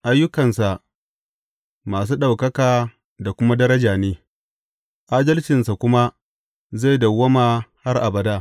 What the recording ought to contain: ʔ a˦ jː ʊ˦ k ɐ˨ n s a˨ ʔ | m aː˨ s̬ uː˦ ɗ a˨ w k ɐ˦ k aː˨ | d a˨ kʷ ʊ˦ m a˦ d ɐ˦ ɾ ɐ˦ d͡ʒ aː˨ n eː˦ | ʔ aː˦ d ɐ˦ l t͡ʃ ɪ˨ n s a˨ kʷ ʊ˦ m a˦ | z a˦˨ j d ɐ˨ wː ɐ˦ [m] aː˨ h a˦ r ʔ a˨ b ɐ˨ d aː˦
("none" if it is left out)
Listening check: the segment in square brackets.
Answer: m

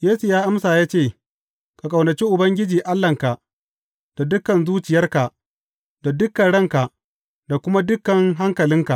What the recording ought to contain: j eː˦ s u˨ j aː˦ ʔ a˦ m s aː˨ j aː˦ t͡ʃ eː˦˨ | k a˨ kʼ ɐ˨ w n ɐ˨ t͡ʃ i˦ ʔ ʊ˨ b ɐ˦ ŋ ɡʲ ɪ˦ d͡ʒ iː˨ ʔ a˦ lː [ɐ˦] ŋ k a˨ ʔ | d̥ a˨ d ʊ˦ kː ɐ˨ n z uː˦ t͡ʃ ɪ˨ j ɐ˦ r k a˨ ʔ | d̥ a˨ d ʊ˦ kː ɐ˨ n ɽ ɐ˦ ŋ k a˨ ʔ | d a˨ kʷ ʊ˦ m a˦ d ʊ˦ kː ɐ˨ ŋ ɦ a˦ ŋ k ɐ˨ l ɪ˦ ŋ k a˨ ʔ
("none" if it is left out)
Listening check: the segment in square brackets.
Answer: ɐ˨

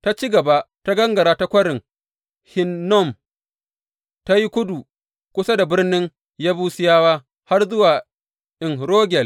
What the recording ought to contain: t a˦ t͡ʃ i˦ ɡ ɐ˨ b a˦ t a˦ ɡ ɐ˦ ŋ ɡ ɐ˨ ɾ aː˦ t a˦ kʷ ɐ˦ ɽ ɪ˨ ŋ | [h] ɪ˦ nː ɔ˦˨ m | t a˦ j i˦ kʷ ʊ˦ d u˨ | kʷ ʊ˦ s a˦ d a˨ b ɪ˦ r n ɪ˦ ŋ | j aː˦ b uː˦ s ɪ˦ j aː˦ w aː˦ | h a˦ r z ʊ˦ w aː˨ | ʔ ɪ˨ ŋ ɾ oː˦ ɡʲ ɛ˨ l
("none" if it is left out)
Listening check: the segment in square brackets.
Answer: h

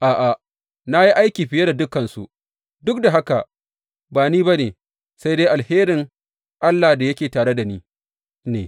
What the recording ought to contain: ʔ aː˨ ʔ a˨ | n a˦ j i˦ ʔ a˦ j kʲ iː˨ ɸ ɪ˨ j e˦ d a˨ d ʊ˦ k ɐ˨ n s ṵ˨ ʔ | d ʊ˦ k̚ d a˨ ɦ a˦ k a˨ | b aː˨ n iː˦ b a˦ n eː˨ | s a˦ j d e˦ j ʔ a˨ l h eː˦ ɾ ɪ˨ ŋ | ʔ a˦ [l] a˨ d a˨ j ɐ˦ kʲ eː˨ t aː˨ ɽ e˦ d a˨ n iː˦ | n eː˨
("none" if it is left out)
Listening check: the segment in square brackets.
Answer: lː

